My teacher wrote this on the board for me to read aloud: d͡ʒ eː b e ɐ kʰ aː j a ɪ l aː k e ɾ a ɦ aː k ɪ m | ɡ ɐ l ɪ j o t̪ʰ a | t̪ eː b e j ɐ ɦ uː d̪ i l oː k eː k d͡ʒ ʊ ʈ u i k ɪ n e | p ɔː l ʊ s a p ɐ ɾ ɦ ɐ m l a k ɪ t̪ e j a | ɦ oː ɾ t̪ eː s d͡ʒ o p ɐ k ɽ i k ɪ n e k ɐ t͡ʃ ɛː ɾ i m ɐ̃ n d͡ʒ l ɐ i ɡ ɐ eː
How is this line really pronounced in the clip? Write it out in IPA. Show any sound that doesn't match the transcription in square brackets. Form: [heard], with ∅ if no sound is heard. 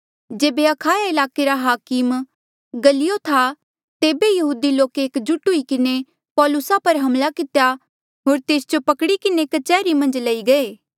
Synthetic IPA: d͡ʒ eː b e ɐ kʰ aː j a ɪ l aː k e ɾ a ɦ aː k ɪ m | ɡ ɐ l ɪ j o t̪ʰ a | t̪ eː b e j ɐ ɦ uː d̪ i l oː k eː k d͡ʒ ʊ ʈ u i k ɪ n e | p ɔː l ʊ s a p ɐ ɾ ɦ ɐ m l a k ɪ t̪ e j a | ɦ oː ɾ t̪ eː s d͡ʒ o p ɐ k ɽ i k ɪ n e k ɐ t͡ʃ ɛː ɾ i m ɐ̃ n d͡ʒ l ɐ i ɡ ɐ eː